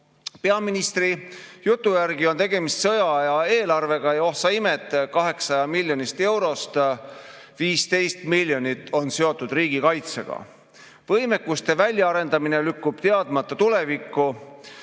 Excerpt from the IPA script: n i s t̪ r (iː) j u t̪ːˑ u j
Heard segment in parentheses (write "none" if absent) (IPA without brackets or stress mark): i